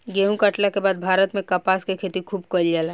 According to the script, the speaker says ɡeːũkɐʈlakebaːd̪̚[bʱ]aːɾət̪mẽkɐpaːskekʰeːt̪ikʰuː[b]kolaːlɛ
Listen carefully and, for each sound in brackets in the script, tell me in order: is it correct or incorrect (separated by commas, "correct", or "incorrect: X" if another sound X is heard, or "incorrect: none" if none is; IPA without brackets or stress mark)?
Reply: correct, correct